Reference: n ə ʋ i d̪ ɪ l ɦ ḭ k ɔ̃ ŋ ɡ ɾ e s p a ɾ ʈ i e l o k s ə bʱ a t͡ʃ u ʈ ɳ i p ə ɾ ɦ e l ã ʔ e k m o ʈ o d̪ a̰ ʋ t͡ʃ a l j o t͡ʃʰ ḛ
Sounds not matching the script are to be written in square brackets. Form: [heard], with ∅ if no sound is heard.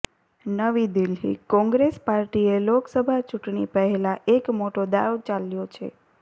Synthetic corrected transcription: n ə ʋ i d̪ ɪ l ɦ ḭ k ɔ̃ ŋ ɡ ɾ e s p a ɾ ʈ i e l o k s ə bʱ a t͡ʃ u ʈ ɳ i p ə [∅] ɦ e l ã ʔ e k m o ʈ o d̪ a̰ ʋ t͡ʃ a l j o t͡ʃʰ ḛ